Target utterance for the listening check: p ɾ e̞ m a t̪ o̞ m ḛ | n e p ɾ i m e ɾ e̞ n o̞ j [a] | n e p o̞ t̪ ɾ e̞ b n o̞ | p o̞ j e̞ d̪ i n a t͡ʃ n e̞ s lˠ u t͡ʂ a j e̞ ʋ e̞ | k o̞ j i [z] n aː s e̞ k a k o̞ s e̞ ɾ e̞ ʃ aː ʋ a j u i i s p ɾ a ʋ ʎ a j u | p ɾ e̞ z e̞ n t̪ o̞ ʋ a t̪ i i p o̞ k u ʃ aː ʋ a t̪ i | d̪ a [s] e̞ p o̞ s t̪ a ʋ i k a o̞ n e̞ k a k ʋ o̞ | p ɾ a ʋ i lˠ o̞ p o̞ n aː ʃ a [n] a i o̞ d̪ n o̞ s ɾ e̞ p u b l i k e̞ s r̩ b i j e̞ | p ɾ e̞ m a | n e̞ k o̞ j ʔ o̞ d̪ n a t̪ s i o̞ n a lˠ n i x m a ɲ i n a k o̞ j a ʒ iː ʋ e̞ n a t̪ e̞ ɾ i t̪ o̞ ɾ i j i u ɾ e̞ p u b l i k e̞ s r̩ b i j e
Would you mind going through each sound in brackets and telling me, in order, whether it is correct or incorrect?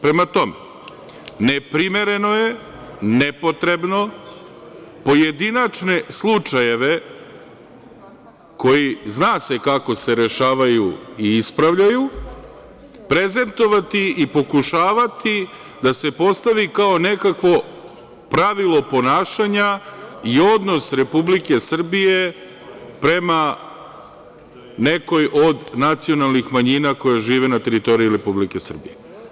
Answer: incorrect: e, correct, correct, incorrect: ɲ

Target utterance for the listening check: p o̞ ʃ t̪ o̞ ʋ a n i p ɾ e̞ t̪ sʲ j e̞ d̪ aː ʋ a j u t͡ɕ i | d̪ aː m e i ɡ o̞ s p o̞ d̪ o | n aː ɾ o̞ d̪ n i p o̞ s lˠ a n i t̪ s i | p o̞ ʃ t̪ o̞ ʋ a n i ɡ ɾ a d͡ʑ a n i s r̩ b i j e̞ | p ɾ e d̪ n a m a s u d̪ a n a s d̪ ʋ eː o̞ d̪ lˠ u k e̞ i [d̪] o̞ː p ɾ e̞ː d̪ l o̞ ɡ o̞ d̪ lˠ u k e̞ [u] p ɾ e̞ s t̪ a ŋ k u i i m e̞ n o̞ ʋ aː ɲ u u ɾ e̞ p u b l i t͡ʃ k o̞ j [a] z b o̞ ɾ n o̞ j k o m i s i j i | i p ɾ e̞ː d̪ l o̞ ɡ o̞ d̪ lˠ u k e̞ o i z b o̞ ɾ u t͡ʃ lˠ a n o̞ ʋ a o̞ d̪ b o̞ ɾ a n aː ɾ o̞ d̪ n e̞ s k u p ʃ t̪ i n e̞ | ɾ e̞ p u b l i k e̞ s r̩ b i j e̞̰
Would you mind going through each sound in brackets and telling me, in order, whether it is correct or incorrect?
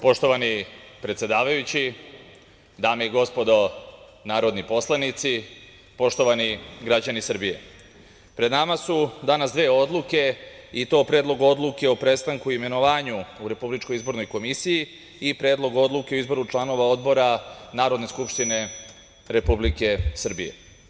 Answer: incorrect: t̪, incorrect: o, incorrect: i

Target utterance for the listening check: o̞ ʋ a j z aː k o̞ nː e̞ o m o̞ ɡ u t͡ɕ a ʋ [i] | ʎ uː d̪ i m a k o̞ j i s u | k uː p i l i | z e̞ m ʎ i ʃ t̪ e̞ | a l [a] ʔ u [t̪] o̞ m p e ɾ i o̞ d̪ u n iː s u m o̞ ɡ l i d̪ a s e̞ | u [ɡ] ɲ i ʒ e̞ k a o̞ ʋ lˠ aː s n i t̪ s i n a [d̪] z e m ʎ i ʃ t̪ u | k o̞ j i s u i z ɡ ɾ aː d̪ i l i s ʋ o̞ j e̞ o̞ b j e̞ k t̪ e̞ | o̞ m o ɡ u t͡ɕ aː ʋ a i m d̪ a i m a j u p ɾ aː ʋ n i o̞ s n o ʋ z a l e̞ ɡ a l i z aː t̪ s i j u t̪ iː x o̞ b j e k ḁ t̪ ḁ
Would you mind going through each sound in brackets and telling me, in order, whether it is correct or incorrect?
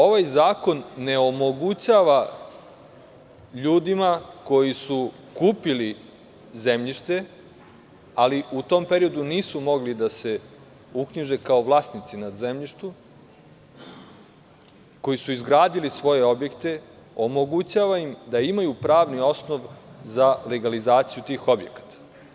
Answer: incorrect: a, incorrect: i, correct, incorrect: k, correct

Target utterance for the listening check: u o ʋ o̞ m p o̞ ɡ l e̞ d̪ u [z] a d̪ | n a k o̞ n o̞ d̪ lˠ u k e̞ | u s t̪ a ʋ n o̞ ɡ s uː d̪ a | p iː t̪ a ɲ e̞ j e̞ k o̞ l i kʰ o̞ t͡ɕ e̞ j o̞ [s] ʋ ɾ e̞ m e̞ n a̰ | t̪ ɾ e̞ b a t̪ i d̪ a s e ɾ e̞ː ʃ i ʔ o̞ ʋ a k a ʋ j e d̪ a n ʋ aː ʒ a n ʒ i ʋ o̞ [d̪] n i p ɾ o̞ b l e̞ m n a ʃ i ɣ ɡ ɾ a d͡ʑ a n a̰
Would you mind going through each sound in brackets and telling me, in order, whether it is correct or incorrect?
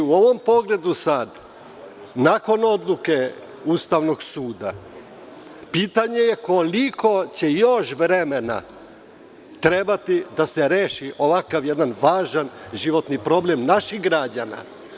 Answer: incorrect: s, incorrect: ʃ, incorrect: t̪

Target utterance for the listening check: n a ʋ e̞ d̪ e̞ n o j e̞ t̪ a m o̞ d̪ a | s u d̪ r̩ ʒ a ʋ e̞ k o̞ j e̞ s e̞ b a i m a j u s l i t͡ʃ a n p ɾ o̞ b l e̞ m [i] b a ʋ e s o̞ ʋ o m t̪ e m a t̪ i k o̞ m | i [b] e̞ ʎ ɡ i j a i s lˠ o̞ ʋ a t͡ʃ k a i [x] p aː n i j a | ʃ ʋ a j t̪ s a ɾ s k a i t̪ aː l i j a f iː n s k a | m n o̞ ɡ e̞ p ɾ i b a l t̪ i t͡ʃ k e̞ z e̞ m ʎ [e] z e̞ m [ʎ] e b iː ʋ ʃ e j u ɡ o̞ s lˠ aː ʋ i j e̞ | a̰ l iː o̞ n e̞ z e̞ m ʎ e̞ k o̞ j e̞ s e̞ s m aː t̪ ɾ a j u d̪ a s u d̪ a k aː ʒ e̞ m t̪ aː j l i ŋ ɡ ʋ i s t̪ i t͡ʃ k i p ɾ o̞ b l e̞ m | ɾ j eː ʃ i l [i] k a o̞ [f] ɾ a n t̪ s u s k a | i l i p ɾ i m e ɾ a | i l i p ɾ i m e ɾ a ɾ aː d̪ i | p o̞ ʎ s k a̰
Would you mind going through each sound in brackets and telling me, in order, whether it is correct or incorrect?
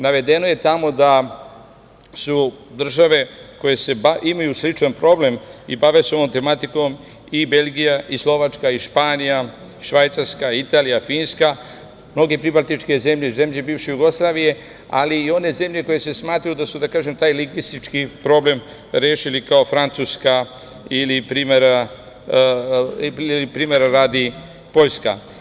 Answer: correct, correct, incorrect: ʃ, correct, correct, correct, correct

